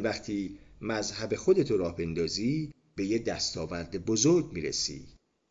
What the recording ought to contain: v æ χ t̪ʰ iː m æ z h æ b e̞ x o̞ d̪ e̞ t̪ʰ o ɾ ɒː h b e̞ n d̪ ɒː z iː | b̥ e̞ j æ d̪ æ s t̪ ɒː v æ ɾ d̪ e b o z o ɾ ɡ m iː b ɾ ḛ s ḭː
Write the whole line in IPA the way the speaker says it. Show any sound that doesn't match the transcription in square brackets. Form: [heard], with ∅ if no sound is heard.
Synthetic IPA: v æ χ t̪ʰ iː m æ z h æ b e̞ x o̞ d̪ e̞ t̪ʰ o ɾ ɒː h b e̞ n d̪ ɒː z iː | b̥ e̞ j [e] d̪ æ s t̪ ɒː v æ ɾ d̪ e b o z o ɾ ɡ m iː [∅] ɾ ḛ s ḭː